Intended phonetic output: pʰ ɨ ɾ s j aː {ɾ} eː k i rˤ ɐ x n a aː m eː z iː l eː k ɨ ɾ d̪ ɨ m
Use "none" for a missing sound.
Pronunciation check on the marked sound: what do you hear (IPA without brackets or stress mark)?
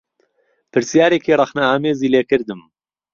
ɾ